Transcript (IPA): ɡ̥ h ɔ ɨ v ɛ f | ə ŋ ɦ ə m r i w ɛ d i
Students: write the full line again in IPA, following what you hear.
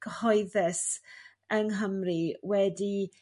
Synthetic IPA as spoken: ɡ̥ h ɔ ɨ ð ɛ s | ə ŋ ɦ ə m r i w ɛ d i